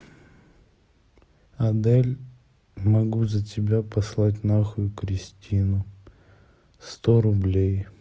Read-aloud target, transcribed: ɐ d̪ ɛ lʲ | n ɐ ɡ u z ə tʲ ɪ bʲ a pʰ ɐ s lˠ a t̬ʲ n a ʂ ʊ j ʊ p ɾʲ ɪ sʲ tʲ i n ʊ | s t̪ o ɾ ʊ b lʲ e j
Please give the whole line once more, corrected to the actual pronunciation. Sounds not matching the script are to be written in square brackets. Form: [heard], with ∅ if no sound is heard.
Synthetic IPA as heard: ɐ d̪ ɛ lʲ | [m] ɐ ɡ u z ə tʲ ɪ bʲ a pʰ ɐ s lˠ a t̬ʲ n a [x] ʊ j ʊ [k] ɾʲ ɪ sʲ tʲ i n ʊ | s t̪ o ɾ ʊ b lʲ e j